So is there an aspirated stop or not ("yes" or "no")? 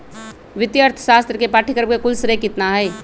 yes